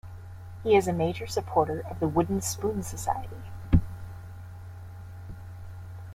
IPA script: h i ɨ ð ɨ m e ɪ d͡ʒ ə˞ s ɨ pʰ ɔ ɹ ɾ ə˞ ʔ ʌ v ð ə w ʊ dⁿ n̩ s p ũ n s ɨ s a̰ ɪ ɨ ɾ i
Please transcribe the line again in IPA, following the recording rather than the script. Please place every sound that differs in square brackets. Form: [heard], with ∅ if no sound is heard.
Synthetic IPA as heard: h i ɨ [z] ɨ m e ɪ d͡ʒ ə˞ s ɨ pʰ ɔ ɹ ɾ ə˞ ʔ ʌ v ð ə w ʊ dⁿ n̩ s p ũ n s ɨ s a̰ ɪ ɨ ɾ i